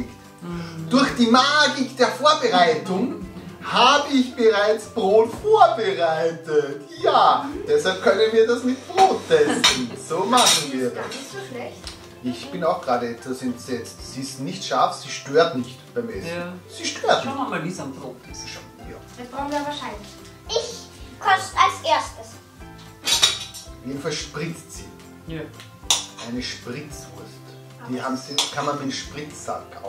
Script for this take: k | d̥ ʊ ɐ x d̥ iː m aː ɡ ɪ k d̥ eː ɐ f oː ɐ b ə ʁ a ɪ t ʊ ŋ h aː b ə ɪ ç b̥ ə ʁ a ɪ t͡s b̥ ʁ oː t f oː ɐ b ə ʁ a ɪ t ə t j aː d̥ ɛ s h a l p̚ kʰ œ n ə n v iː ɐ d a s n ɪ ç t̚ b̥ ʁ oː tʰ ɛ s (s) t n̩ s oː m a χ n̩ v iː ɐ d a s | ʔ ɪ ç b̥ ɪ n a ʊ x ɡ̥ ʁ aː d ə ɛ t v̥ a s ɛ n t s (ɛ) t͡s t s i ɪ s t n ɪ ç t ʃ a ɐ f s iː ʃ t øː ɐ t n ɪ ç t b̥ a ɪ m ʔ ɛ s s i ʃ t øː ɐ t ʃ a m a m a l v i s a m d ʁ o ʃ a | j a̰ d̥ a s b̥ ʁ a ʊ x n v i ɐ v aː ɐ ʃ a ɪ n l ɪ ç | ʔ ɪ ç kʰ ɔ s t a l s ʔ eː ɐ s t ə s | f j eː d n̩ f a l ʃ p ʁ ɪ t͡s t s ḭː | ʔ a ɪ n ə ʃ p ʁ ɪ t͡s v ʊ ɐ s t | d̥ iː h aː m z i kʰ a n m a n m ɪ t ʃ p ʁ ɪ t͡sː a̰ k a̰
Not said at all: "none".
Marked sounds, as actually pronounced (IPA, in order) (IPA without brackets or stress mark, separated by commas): s, ɛ